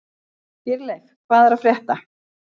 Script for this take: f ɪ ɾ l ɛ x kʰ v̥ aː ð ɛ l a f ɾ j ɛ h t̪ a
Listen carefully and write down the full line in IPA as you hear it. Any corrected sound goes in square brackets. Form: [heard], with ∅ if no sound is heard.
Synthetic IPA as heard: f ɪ ɾ l ɛ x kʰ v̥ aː ð ɛ [ɾ] a f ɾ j ɛ h t̪ a